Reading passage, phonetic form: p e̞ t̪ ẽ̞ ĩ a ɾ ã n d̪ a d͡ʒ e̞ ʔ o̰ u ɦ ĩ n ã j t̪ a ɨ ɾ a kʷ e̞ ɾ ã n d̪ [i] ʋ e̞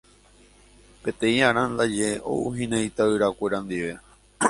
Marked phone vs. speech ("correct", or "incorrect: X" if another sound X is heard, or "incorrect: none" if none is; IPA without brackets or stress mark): correct